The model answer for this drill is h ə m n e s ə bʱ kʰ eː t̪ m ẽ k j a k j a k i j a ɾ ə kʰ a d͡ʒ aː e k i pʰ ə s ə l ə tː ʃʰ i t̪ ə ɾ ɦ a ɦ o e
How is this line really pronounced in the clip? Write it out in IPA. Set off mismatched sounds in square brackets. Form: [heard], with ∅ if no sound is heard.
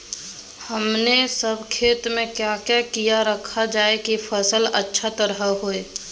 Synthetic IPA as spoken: h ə m n e s ə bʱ kʰ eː t̪ m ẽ k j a k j a k i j a ɾ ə kʰ a d͡ʒ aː e k i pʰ ə s ə l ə tː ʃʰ [a] t̪ ə ɾ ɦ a ɦ o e